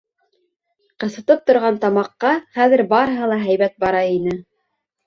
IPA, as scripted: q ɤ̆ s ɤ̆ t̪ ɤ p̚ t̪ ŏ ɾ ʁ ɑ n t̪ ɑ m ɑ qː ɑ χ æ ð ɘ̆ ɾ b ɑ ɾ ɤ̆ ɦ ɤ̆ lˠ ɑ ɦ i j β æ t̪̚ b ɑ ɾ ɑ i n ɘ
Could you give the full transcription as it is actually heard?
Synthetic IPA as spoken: q ɤ̆ s ɤ̆ t̪ ɤ p̚ t̪ ŏ ɾ ʁ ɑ n t̪ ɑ m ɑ qː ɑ χ æ ð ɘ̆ ɾ b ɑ ɾ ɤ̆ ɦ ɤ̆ lˠ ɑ ɦ æ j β æ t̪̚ b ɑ ɾ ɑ i n ɘ